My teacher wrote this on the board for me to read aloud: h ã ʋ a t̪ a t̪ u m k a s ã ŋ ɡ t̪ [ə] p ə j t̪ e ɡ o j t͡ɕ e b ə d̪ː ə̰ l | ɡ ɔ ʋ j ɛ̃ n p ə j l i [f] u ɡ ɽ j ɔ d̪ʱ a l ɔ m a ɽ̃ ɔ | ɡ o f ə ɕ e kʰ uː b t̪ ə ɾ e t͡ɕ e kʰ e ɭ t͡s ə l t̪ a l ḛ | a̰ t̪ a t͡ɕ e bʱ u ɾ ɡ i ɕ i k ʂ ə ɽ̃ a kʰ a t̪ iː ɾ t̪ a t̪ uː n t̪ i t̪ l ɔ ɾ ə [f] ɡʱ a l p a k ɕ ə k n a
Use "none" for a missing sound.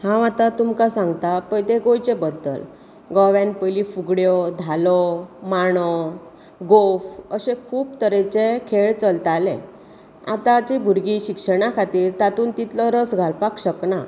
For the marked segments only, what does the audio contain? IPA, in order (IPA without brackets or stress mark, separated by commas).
a, f, s